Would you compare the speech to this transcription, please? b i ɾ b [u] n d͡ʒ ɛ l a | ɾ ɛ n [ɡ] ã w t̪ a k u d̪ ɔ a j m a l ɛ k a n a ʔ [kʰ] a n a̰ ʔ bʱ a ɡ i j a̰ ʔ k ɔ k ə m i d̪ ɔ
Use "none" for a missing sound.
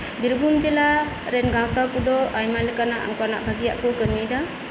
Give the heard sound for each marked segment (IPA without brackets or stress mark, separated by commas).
u, ɡ, k